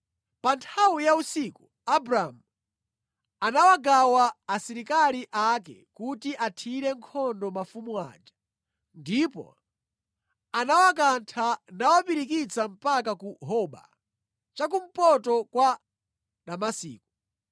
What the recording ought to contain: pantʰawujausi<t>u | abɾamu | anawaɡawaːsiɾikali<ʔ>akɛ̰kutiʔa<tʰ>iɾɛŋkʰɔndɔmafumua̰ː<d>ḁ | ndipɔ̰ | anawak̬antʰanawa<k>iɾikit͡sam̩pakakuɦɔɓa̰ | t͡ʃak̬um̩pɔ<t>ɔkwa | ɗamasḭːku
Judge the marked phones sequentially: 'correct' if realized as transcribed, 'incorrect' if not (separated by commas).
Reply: incorrect, correct, correct, incorrect, incorrect, correct